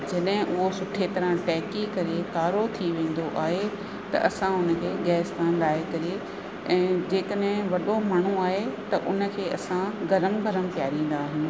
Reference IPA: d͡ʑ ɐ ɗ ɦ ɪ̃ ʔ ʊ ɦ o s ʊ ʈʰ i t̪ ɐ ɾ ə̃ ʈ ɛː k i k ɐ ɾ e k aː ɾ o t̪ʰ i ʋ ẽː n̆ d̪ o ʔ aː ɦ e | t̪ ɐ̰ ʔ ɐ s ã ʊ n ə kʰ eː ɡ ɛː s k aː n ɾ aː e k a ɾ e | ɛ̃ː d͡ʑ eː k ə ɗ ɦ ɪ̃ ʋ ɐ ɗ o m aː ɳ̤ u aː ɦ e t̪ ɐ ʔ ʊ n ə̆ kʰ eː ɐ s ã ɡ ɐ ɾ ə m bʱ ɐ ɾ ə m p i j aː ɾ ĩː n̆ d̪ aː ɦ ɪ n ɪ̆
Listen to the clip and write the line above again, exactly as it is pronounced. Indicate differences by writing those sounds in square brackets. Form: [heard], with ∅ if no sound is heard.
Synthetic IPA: d͡ʑ ɐ ɗ ɦ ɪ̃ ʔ ʊ ɦ o s ʊ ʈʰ [e] t̪ ɐ ɾ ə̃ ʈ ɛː k i k ɐ ɾ e k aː ɾ o t̪ʰ i ʋ ẽː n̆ d̪ o ʔ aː ɦ e | t̪ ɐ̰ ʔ ɐ s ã ʊ n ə kʰ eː ɡ ɛː s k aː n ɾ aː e k [ɐ] ɾ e | ɛ̃ː d͡ʑ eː k ə ɗ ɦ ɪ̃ ʋ ɐ ɗ o m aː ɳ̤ u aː ɦ e t̪ ɐ ʔ ʊ n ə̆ kʰ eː ɐ s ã ɡ ɐ ɾ ə m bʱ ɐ ɾ ə m p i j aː ɾ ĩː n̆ d̪ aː ɦ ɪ n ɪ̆